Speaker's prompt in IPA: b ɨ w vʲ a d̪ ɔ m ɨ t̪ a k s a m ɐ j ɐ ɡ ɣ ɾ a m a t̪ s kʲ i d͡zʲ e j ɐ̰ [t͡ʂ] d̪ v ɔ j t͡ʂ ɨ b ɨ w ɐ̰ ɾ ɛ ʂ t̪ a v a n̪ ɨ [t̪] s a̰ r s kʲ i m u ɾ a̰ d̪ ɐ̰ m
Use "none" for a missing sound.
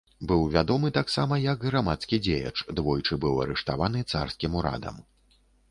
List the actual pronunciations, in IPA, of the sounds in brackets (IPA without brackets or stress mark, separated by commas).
t͡ʂ, t̪